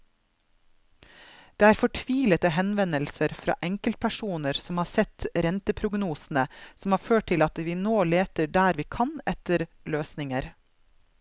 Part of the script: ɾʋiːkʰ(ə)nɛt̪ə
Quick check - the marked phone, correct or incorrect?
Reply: incorrect